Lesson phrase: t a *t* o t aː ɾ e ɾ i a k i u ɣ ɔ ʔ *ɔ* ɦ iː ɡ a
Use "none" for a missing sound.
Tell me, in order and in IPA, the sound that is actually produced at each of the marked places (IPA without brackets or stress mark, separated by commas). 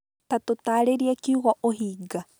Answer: t, o